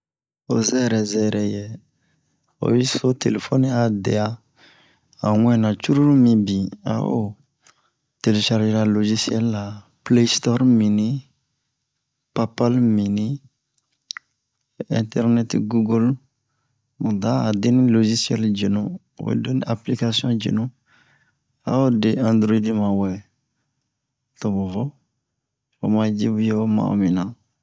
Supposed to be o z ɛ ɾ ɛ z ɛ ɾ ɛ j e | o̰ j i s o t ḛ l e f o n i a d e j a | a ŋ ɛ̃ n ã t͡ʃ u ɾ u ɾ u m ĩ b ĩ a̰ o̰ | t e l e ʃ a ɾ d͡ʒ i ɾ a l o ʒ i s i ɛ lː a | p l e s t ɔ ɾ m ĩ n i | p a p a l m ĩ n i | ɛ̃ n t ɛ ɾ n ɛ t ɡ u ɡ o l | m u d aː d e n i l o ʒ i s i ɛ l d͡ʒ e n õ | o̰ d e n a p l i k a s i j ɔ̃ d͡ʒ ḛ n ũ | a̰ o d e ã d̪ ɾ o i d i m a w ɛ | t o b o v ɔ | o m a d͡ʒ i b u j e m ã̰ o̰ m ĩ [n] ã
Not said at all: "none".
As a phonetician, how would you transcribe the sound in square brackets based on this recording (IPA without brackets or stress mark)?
n